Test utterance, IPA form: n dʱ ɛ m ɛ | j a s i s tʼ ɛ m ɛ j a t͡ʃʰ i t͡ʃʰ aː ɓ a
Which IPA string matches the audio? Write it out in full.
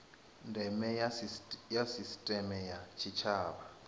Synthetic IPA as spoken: n dʱ ɛ m ɛ | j a s i s tʼ ɛ m ɛ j a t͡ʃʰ i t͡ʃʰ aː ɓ a